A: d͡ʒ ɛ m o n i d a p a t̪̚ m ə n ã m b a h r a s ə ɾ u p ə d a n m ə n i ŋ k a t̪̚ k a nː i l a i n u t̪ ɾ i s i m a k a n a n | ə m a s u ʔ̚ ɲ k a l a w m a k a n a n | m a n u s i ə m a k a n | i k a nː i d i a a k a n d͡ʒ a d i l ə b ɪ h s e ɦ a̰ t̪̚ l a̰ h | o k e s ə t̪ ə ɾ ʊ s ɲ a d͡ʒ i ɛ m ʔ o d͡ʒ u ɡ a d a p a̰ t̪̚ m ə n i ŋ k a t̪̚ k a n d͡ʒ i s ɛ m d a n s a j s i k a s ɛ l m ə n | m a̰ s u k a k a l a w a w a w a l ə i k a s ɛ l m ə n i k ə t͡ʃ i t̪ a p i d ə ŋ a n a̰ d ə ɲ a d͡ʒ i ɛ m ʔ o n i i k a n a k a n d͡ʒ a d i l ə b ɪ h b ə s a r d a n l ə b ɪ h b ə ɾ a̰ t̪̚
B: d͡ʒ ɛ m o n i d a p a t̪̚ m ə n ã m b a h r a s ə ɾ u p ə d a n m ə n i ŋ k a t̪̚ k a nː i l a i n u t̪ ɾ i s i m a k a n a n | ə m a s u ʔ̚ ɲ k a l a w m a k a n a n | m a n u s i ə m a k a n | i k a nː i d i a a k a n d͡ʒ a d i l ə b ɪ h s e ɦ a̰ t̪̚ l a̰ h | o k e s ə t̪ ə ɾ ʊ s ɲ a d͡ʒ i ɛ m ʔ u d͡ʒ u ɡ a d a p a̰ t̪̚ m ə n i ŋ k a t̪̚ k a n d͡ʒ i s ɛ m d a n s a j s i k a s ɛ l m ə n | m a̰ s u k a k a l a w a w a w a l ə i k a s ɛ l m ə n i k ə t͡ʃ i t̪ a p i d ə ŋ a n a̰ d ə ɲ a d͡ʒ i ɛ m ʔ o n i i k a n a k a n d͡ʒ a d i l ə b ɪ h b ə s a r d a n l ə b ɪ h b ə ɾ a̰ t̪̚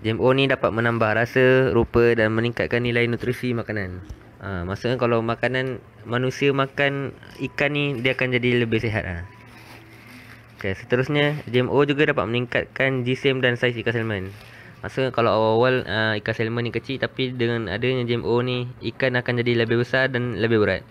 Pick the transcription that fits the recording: A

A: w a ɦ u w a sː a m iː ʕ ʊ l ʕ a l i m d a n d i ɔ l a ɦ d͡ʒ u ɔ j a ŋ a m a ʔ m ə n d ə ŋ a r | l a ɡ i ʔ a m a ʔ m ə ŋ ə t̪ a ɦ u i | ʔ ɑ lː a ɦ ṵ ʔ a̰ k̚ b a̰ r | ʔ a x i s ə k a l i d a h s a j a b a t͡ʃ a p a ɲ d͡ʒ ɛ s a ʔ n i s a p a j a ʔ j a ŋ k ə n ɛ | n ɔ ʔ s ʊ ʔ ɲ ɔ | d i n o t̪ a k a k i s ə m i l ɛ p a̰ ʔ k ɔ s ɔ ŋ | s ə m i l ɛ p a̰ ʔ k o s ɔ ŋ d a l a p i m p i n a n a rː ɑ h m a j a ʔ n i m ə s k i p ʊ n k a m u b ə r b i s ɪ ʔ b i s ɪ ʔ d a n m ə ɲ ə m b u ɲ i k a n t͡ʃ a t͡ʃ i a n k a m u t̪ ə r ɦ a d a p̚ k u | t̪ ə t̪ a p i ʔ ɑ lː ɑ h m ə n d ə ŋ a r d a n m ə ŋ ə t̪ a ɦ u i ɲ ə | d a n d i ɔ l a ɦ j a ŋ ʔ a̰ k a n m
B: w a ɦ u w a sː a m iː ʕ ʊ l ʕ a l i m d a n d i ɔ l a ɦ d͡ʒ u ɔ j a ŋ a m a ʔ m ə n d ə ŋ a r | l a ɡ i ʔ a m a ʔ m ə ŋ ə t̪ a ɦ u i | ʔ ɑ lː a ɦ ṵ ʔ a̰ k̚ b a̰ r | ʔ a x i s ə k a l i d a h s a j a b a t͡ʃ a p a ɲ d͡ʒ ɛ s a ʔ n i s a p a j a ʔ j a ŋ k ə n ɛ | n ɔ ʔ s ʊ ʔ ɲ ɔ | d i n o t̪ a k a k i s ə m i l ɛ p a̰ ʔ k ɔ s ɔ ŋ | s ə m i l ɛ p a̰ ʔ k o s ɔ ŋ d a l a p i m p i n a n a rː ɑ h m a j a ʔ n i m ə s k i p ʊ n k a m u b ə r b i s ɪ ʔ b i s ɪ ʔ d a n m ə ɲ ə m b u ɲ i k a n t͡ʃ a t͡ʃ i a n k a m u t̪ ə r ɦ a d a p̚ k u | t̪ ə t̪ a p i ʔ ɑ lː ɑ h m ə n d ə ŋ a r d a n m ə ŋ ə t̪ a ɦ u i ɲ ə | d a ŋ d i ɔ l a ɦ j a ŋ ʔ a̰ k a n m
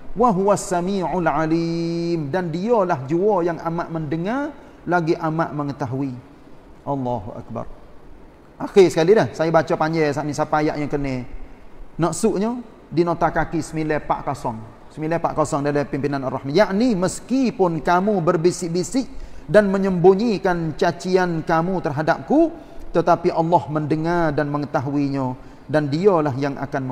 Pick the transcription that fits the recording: A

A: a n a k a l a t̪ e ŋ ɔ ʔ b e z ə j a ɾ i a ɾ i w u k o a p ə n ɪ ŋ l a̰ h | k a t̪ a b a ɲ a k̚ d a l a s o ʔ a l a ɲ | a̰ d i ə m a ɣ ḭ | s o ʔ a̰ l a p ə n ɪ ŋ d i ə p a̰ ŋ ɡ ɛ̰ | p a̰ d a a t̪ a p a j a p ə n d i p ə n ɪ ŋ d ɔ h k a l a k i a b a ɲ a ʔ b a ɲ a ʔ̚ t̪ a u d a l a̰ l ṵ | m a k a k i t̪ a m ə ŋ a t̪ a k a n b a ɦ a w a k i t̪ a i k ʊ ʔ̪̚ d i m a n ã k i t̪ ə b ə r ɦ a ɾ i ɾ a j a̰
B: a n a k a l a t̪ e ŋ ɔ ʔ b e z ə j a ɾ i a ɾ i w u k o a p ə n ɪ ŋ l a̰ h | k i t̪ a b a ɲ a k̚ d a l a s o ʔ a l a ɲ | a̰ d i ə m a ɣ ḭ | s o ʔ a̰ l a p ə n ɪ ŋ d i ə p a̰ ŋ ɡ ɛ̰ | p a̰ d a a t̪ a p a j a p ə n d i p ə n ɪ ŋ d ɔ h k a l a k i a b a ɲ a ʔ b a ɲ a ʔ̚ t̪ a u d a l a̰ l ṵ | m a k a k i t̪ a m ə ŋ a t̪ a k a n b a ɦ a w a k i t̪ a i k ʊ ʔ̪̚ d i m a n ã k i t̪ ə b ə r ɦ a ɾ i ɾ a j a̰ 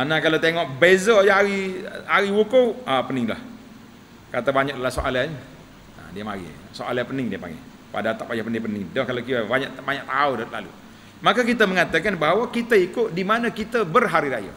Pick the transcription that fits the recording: A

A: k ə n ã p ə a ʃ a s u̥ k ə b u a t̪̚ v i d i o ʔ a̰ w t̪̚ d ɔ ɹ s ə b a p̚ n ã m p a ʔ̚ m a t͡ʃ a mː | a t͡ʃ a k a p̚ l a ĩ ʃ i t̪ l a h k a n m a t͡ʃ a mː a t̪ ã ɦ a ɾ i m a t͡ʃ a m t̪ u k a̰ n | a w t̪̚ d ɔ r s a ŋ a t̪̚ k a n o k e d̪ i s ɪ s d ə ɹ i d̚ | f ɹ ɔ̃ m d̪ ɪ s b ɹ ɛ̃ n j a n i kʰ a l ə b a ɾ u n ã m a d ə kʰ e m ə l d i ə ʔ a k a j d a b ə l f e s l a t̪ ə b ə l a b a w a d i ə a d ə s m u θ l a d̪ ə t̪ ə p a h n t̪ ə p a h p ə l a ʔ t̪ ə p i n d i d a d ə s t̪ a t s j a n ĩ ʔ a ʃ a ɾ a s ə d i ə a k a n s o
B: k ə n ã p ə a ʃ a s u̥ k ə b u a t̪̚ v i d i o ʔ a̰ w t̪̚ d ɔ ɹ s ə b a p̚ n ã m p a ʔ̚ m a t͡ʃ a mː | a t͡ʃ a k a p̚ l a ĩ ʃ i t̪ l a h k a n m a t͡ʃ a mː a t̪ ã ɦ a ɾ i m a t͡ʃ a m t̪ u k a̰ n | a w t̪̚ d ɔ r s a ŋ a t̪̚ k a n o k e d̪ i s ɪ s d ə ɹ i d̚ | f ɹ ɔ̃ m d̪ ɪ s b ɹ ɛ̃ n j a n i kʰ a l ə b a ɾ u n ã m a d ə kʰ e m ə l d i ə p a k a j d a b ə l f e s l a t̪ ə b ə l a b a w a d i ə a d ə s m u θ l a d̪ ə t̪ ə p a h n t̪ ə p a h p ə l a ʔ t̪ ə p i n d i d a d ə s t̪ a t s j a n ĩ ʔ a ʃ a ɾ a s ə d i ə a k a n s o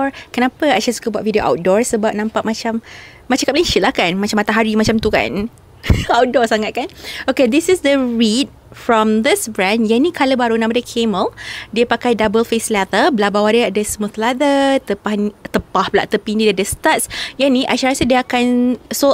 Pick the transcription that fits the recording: B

